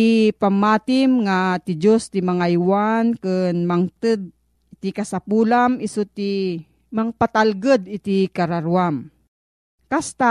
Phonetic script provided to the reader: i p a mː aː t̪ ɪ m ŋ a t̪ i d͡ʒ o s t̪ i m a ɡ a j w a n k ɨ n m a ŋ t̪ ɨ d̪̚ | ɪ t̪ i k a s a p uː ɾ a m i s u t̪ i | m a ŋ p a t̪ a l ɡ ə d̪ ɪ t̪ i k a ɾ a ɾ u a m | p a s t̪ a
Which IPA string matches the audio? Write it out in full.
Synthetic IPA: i p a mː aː t̪ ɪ m ŋ a t̪ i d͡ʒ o s t̪ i m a ŋ a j w a n k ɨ n m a ŋ t̪ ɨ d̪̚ | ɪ t̪ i k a s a p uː l a m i s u t̪ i | m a ŋ p a t̪ a l ɡ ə d̪ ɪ t̪ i k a ɾ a ɾ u a m | k a s t̪ a